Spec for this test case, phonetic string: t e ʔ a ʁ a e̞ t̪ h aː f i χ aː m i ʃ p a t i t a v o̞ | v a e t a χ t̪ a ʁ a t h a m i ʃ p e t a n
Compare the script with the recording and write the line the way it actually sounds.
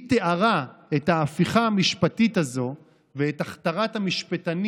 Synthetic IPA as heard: t e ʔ a ʁ a e̞ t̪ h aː f i χ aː m i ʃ p a t i t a z o̞ | v e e t a χ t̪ a ʁ a t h a m i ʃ p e t a n